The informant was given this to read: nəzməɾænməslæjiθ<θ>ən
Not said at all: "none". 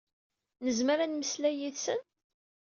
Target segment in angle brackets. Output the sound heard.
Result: s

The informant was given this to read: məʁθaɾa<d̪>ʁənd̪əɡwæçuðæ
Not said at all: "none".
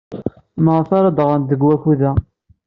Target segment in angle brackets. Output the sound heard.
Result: d̪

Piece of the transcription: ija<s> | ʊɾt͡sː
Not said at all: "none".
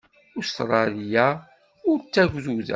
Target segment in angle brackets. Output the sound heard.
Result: none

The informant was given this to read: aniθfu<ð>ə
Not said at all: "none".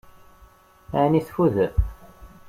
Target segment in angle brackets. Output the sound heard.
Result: ð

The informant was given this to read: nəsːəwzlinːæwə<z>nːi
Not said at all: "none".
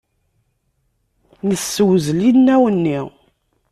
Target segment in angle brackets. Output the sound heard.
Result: none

